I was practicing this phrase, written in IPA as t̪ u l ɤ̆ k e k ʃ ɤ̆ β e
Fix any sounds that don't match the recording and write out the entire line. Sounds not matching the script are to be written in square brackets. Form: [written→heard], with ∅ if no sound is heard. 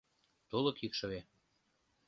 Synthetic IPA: t̪ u l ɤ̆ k [e→i] k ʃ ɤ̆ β e

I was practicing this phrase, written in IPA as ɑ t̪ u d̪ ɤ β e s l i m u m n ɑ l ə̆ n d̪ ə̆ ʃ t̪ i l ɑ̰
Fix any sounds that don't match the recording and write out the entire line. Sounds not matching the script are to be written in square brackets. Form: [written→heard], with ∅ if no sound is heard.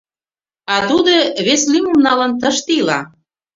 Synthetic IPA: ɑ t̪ u d̪ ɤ β e s l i m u m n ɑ l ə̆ n [d̪→t̪] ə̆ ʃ t̪ i l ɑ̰

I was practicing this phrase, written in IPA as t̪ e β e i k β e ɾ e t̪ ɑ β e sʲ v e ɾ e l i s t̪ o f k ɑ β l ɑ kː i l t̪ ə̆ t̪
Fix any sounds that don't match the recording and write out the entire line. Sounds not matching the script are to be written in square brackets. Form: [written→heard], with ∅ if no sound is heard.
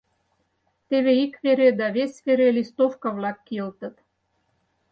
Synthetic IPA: t̪ e β e i k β e ɾ e [t̪→d̪] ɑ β e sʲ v e ɾ e l i s t̪ o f k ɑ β l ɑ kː i l t̪ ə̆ t̪

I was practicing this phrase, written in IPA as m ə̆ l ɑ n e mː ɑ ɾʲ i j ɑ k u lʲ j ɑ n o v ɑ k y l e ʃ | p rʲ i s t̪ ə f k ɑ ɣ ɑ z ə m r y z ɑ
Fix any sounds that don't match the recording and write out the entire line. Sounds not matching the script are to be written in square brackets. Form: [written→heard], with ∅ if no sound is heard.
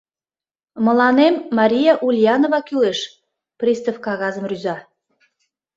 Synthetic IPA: m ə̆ l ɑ n e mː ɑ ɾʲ i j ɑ [k→ʔ] u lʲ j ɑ n o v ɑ k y l e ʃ | p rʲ i s t̪ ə f k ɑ ɣ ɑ z ə m r y z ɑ

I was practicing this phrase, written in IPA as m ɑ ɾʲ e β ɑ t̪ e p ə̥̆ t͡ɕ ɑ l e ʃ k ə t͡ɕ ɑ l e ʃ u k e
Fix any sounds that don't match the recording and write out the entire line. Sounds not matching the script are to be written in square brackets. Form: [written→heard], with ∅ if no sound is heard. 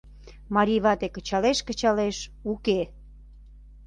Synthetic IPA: m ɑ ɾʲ [e→i] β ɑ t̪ e [p→k] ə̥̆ t͡ɕ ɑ l e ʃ k ə t͡ɕ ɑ l e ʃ u k e

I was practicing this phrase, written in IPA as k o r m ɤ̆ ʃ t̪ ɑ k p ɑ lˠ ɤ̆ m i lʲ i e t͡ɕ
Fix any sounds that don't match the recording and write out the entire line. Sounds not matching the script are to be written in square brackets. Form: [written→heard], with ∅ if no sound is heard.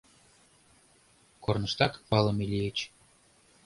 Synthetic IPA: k o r [m→n] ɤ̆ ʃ t̪ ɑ k p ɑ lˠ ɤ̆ m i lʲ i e t͡ɕ

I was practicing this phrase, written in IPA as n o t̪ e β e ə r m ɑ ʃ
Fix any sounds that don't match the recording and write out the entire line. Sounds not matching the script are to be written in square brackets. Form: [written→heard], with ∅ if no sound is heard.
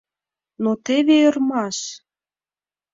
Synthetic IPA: n o t̪ e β e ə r m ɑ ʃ

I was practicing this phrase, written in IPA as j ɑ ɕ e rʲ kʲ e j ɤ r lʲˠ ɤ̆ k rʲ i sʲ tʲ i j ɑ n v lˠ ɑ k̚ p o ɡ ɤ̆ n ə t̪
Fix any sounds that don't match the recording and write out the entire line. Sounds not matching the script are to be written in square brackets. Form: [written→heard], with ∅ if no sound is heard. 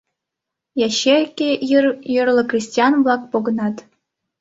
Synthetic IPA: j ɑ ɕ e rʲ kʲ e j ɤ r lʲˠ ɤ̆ k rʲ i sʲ tʲ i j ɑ n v lˠ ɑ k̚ p o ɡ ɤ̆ n [ə→ɑ] t̪

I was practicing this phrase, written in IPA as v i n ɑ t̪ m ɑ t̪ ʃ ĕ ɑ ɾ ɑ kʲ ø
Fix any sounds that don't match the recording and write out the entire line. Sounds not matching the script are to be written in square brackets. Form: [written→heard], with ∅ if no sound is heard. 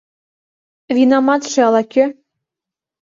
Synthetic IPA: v i n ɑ [t̪→∅] m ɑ t̪ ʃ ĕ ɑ [ɾ→l] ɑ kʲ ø

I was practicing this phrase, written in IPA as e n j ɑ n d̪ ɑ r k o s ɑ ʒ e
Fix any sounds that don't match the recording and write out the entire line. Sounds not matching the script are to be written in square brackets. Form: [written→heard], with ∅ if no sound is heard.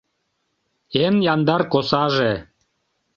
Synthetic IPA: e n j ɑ n d̪ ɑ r k o s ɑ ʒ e

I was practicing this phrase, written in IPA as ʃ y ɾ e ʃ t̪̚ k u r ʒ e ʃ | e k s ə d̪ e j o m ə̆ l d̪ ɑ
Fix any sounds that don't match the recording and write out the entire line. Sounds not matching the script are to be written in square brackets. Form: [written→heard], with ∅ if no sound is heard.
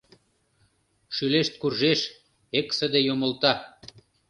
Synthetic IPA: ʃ y [ɾ→l] e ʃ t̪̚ k u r ʒ e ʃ | e k s ə d̪ e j o m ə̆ l [d̪→t̪] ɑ

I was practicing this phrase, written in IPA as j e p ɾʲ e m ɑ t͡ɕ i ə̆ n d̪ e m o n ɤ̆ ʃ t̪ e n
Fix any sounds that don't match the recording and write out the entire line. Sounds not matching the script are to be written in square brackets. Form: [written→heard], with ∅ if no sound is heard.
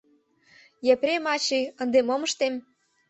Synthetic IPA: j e p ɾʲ e m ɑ t͡ɕ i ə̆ n d̪ e m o [n→m] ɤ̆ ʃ t̪ e [n→m]

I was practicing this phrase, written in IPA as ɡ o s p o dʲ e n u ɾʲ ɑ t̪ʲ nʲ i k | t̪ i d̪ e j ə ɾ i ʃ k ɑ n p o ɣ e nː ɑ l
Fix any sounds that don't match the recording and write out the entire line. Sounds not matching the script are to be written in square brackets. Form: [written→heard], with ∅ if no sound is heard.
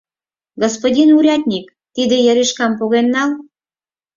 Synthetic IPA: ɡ o s p o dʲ [e→i] n u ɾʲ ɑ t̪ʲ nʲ i k | t̪ i d̪ e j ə ɾ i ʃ k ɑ [n→m] p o ɣ e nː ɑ l

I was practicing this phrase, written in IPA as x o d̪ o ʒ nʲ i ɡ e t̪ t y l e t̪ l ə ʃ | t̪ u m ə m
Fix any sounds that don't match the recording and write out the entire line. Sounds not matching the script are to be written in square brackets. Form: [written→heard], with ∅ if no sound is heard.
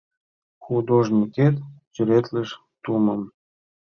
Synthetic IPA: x [o→u] d̪ o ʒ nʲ i [ɡ→k] e t̪ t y [l→ɾ] e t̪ l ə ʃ | t̪ u m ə m

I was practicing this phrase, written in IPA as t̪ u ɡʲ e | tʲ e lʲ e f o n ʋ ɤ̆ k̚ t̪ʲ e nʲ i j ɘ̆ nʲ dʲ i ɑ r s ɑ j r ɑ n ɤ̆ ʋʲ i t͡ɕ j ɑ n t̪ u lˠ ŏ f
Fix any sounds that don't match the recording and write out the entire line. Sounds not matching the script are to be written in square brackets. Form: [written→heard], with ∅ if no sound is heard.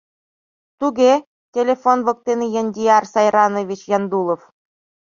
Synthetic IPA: t̪ u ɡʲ e | tʲ e lʲ e f o n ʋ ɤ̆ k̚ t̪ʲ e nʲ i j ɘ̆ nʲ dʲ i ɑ r s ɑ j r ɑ n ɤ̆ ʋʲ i t͡ɕ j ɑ n [t̪→d̪] u lˠ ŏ f

